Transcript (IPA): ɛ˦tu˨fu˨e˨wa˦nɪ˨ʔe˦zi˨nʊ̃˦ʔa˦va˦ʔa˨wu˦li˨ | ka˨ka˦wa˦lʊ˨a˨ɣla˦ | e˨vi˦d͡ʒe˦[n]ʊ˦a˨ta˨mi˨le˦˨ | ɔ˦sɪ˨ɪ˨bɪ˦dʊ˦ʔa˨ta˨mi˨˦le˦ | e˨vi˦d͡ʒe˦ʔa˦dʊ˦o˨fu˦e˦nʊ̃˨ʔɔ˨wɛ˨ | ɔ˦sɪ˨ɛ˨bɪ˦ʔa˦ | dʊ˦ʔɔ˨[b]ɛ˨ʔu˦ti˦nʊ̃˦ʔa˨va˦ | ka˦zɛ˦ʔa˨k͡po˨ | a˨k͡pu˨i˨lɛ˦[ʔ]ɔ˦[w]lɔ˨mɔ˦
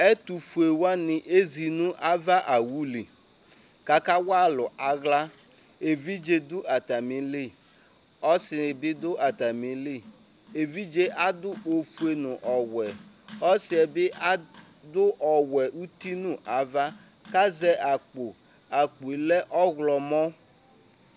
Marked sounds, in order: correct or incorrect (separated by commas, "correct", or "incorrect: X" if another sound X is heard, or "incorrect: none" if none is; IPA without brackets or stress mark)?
incorrect: d, incorrect: w, correct, incorrect: ɣ